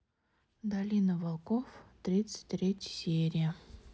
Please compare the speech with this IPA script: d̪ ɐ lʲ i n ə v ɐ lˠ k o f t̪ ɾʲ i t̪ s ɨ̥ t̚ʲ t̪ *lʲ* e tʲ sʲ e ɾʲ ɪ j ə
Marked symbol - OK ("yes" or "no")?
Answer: no